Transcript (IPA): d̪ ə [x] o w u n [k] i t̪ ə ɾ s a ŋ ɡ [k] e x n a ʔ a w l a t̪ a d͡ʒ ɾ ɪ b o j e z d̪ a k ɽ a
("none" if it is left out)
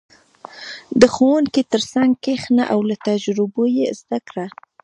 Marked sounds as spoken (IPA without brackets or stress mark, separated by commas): x, k, k